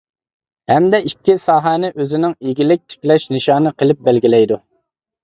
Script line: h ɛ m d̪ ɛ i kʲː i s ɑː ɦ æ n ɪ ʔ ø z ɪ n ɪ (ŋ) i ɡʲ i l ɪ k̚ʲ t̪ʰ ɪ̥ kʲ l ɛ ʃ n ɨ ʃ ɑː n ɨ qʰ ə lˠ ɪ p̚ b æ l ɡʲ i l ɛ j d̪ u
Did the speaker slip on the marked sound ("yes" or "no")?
no